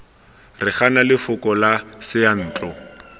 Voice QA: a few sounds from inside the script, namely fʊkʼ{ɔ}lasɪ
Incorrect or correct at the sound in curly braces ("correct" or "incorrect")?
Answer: correct